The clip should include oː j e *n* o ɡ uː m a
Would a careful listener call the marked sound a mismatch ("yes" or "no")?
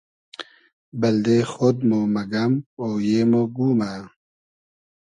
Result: yes